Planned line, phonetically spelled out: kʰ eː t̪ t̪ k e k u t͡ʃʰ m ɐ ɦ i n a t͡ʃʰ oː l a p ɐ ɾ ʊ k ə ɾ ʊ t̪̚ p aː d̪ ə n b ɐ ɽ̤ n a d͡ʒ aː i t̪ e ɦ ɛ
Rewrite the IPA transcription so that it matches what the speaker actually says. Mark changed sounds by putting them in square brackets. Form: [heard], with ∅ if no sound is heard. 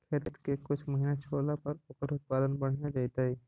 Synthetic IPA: kʰ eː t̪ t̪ k e k [ʊ] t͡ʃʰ m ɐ ɦ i n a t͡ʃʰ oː l a p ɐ ɾ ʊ k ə ɾ ʊ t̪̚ p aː d̪ ə n b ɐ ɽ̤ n a d͡ʒ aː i t̪ [a] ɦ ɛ

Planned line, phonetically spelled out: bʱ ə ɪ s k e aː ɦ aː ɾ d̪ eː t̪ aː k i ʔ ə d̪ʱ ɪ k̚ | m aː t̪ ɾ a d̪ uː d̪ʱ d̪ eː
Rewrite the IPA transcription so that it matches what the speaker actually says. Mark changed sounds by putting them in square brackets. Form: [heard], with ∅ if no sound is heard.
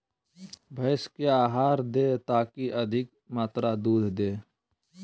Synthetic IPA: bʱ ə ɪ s k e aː ɦ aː ɾ d̪ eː t̪ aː k i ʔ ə d̪ʱ ɪ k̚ | m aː t̪ ɾ a d̪ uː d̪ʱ d̪ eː

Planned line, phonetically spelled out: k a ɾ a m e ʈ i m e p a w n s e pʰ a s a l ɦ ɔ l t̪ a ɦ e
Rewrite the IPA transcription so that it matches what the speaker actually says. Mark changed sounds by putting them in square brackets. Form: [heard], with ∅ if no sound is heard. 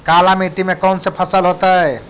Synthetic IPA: k a [l] a m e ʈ i m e [k] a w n s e pʰ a s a l ɦ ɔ [∅] t̪ a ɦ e

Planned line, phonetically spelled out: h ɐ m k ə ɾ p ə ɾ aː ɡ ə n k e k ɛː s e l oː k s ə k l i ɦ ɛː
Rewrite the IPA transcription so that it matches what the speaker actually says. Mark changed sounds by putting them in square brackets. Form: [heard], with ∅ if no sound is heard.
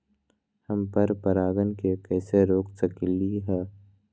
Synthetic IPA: h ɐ m [p] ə ɾ p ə ɾ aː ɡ ə n k e k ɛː s e [ɾ] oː k s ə k l i ɦ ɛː

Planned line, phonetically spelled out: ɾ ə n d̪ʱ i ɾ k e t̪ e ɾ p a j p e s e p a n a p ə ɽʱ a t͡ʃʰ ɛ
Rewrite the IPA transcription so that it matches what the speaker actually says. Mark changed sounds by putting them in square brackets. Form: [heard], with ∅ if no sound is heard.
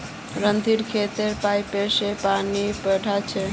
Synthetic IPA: ɾ ə n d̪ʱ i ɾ [kʰ] e t̪ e ɾ p a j p e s e p a n [i] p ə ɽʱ a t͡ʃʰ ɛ

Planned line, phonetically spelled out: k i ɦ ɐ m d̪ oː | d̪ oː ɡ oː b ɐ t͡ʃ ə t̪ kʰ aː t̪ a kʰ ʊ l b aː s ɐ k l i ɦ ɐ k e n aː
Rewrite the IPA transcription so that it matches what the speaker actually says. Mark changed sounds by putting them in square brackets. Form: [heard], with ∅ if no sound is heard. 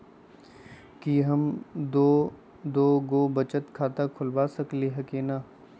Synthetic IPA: k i ɦ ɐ m d̪ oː | d̪ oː ɡ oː b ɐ t͡ʃ ə t̪ kʰ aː t̪ a kʰ ʊ l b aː s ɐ k l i ɦ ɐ k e n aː

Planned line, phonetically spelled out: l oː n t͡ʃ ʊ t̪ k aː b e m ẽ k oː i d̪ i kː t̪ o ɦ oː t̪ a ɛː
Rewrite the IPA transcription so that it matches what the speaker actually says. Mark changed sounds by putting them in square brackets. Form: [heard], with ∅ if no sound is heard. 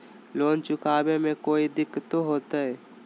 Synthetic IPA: l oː n t͡ʃ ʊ [∅] k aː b e m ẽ k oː i d̪ [ɪ] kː t̪ o ɦ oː t̪ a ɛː

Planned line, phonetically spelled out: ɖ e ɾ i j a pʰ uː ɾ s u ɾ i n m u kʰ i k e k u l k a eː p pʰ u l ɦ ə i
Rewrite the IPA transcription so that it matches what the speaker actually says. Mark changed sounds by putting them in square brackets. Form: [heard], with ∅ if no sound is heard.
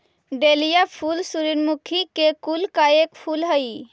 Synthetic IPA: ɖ e [l] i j a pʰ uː [l] s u ɾ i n m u kʰ i k e k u l k a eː [k] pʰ u l ɦ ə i

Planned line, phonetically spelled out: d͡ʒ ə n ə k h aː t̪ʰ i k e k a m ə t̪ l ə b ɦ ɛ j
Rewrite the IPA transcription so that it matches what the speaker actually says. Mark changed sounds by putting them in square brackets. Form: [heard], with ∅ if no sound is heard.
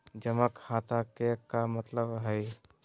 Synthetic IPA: d͡ʒ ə [m] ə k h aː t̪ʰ [a] k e k a m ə t̪ l ə b ɦ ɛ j

